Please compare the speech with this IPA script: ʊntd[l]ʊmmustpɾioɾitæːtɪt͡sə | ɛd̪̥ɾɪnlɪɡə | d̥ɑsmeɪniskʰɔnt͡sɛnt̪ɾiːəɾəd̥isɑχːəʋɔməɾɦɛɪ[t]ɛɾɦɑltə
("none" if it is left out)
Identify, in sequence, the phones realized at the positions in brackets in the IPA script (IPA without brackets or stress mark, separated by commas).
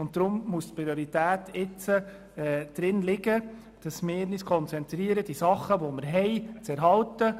ɾ, t͡s